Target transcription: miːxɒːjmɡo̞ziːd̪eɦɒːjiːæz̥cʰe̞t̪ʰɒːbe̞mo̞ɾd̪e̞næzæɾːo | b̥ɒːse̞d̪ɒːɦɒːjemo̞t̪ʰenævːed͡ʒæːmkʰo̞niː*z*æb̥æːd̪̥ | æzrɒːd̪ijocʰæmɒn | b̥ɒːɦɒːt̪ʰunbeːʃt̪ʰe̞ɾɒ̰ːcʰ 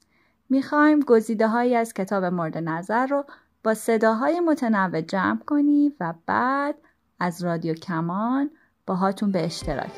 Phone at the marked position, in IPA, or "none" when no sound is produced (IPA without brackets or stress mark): v